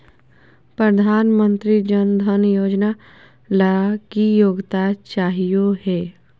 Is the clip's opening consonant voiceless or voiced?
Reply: voiceless